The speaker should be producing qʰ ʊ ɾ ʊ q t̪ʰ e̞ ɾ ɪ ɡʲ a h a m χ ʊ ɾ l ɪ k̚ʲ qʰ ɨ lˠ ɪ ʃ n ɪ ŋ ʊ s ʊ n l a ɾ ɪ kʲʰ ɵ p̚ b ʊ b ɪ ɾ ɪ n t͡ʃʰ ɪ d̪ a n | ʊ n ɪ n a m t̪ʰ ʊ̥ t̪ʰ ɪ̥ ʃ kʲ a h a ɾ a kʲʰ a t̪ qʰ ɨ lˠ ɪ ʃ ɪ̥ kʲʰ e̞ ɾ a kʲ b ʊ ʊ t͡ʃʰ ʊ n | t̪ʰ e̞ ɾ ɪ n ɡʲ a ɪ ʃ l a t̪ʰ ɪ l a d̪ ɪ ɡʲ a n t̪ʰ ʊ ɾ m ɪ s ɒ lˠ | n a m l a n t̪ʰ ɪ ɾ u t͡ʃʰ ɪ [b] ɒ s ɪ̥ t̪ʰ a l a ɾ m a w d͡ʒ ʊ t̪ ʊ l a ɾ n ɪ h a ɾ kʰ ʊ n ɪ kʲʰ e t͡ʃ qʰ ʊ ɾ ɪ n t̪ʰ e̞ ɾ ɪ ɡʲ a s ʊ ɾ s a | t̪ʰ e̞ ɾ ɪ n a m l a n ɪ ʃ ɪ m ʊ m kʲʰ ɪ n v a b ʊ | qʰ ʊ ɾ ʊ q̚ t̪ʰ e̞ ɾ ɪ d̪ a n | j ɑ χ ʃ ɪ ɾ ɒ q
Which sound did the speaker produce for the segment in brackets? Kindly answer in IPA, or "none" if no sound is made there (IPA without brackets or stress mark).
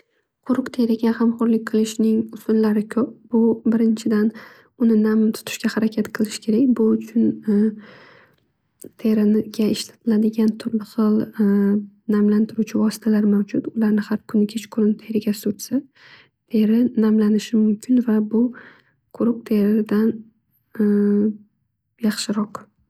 v